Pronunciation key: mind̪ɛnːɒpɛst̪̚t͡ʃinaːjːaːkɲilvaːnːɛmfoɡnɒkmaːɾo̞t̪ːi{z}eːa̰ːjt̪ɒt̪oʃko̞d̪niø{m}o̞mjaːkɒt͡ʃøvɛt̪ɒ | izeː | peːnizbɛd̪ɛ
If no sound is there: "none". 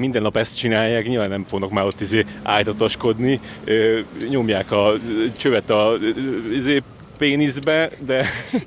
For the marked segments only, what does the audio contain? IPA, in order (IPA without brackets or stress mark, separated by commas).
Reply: z, ɲ